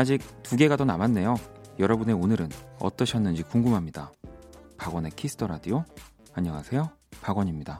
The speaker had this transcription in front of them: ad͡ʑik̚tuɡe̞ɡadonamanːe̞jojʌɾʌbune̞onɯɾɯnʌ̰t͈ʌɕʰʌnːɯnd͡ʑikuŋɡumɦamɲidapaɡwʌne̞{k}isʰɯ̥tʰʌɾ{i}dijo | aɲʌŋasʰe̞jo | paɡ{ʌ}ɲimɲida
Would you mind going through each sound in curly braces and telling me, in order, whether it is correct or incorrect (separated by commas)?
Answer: incorrect, incorrect, correct